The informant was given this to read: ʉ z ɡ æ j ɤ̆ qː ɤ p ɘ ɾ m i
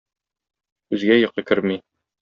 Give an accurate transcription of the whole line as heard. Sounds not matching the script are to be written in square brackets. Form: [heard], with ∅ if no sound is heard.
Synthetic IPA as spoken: ʉ z ɡ æ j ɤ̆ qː ɤ [k] ɘ ɾ m i